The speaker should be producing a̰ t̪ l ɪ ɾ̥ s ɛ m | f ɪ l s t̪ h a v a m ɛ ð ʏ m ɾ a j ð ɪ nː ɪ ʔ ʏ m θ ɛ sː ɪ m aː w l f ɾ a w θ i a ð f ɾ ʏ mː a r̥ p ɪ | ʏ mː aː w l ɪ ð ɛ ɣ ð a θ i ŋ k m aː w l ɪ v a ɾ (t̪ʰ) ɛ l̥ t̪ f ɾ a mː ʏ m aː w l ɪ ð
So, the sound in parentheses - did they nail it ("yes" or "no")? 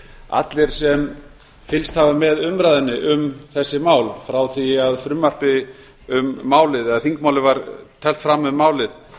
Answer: yes